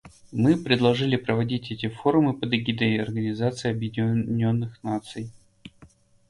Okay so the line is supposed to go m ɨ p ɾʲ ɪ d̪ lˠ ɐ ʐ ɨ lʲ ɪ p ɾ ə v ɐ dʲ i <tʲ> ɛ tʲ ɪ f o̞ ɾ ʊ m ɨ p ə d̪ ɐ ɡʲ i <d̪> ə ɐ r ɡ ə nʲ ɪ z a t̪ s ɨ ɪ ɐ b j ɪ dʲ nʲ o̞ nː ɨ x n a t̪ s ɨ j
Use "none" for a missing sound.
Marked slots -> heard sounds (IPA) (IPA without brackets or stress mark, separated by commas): tʲ, d̪